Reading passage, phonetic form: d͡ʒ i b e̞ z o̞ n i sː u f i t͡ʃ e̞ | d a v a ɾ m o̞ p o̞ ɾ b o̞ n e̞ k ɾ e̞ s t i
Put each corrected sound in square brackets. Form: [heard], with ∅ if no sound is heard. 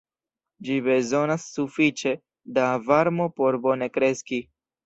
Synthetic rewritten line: d͡ʒ i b e̞ z o̞ n [a] sː u f i t͡ʃ e̞ | d a v a ɾ m o̞ p o̞ ɾ b o̞ n e̞ k ɾ e̞ s [k] i